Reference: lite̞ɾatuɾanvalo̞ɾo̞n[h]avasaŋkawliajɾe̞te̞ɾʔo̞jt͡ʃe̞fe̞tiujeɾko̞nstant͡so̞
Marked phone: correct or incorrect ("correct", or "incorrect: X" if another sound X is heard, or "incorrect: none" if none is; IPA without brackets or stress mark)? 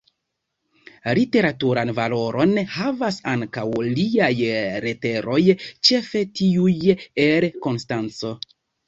correct